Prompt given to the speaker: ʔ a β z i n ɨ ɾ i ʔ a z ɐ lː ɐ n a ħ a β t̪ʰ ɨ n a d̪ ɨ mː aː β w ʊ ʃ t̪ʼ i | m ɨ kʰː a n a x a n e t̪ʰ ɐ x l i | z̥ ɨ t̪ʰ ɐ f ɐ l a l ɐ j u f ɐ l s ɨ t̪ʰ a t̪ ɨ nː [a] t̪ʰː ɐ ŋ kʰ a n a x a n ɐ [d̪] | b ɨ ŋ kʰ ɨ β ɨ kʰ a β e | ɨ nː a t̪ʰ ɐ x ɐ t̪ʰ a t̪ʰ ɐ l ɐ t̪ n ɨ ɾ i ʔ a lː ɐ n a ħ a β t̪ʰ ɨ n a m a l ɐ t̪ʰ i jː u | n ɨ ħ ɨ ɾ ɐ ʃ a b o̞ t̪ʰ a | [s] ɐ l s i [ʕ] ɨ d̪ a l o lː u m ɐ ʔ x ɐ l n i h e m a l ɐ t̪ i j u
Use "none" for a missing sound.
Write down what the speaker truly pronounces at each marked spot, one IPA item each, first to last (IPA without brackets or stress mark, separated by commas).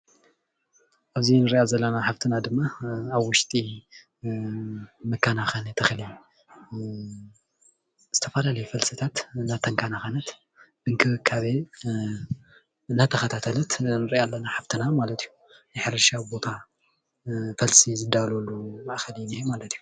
a, t̪, f, z